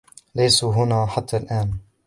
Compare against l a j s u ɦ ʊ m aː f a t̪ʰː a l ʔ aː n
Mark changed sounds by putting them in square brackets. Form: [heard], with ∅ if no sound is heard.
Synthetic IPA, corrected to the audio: l a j s u ɦ ʊ [n] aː [ħ] a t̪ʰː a l ʔ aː n